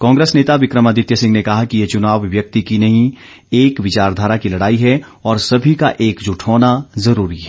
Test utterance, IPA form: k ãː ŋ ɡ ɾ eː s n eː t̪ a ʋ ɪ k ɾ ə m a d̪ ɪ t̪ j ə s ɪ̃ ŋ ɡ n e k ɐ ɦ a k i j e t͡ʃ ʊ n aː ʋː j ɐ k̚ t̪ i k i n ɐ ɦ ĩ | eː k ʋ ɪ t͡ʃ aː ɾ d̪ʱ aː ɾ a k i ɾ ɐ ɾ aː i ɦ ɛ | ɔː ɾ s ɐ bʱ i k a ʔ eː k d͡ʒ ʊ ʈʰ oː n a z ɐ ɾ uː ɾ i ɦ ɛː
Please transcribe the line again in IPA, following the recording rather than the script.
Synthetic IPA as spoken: k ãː ŋ ɡ ɾ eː s n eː t̪ a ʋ ɪ k ɾ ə m a d̪ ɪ t̪ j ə s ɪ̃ ŋ ɡ n e k ɐ ɦ a k i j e t͡ʃ ʊ n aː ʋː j ɐ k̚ t̪ i k i n ɐ ɦ ĩ | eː k ʋ ɪ t͡ʃ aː ɾ d̪ʱ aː ɾ a k i l ɐ ɽ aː i ɦ ɛ | ɔː ɾ s ɐ bʱ i k a ʔ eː k d͡ʒ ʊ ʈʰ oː n a z ɐ ɾ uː ɾ i ɦ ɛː